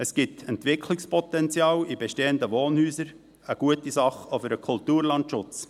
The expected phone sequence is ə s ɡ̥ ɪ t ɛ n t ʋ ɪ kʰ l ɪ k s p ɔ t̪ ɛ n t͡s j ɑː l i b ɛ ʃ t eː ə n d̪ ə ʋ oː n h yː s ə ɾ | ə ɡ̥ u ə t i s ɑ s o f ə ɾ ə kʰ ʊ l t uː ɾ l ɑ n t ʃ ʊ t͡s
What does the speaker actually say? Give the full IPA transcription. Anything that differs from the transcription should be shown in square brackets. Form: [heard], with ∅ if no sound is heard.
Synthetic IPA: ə s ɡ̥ ɪ t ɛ n t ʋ ɪ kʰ l ɪ k s p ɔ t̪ ɛ n t͡s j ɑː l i b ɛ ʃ t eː ə n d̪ ə ʋ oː n h yː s ə ɾ | ə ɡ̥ u ə t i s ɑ [χ] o f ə ɾ ə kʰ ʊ l t uː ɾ l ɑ n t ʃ ʊ t͡s